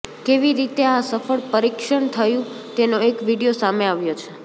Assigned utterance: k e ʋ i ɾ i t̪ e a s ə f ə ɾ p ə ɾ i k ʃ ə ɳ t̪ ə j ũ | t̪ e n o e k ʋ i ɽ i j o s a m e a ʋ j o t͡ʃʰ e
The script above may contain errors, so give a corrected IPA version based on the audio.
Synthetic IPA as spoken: k e ʋ i ɾ i t̪ e a s ə f ə ɭ p ə ɾ i k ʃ ə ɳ t̪ʰ ə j ũ | t̪ e n o e k ʋ i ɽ i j o s a m e a ʋ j o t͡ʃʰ e